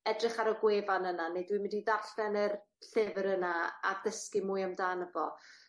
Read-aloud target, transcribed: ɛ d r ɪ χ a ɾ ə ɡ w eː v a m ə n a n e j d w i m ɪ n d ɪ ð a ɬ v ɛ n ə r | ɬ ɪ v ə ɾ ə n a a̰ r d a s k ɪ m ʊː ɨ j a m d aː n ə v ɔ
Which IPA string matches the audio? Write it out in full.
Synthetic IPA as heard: ɛ d r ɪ χ a ɾ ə ɡ w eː v a n ə n a n e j d w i m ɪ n d i ð a ɬ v ɛ n ə r | ɬ ɪ v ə ɾ ə n a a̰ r d ə s k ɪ m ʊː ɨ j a m d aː n ə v ɔ